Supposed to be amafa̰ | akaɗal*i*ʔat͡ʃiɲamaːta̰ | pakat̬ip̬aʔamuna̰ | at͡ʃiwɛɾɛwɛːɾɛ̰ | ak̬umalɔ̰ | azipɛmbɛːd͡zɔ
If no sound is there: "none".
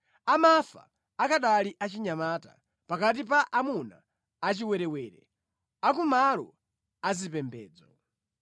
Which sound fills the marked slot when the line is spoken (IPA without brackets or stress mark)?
i